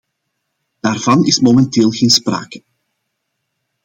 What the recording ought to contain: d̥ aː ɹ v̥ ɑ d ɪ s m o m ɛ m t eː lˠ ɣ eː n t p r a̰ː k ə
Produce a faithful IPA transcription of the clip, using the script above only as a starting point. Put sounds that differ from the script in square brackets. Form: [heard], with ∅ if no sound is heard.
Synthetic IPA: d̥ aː [r] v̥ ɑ [n] ɪ s m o m ɛ [n] t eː lˠ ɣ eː n [s] p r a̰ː k ə